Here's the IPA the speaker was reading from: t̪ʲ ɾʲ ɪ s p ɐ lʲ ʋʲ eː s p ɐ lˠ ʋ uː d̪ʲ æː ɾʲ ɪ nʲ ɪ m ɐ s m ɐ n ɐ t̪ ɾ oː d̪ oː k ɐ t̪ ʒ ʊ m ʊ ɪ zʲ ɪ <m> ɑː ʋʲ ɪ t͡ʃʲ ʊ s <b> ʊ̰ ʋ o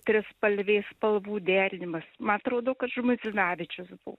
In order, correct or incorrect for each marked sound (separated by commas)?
incorrect, correct